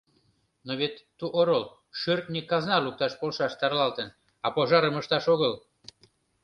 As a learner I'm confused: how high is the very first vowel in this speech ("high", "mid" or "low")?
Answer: mid